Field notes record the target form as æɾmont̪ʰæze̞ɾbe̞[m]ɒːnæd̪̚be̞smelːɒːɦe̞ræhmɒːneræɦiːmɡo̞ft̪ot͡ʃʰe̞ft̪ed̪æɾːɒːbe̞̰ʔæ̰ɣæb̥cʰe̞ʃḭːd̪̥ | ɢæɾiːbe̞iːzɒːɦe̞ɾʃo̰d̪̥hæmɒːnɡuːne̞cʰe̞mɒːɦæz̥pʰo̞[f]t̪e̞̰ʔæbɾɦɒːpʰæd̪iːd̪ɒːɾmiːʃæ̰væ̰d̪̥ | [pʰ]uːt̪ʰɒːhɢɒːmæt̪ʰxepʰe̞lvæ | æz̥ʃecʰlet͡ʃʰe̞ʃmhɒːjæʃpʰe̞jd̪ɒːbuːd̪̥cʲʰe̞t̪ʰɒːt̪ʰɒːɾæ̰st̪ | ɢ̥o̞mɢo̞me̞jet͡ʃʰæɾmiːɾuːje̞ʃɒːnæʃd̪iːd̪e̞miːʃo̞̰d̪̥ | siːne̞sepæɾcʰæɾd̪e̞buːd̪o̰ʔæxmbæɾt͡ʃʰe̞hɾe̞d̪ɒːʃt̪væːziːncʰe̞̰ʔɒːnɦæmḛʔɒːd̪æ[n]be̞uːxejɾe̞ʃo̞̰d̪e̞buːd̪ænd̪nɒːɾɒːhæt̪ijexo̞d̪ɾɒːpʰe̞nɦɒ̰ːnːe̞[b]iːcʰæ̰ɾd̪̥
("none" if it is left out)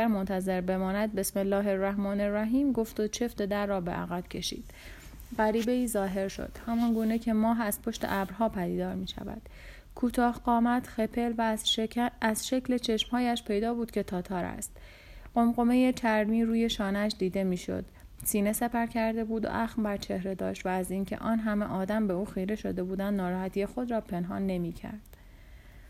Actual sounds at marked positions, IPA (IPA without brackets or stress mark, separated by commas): m, ʃ, kʰ, m, m